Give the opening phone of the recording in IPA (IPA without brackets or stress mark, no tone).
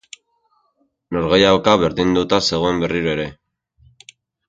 n